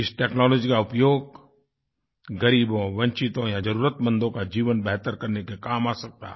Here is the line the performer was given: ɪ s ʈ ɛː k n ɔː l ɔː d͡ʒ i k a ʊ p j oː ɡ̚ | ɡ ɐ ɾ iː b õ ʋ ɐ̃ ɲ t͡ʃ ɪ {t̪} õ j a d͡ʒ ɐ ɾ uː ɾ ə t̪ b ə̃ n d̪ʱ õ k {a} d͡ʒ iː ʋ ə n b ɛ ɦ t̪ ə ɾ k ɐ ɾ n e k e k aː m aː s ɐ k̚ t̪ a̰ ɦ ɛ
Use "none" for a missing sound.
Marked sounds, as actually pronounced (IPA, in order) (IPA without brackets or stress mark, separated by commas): t̪, a